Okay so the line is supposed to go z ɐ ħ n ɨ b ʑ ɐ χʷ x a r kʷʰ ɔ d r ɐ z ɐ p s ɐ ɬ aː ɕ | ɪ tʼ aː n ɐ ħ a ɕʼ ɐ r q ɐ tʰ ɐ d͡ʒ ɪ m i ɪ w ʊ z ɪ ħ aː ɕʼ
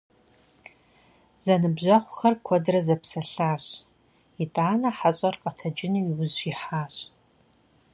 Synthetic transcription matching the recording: z ɐ n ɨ b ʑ ɐ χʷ x ɐ r kʷʰ ɔ d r ɐ z ɐ p s ɐ ɬ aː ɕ | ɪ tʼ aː n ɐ ħ a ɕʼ ɐ r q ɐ tʰ ɐ d͡ʒ ɪ n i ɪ w ʊ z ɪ ħ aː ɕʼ